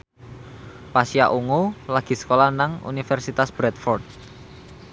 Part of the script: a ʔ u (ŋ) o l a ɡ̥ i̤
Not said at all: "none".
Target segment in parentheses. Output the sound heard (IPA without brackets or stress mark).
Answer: ŋ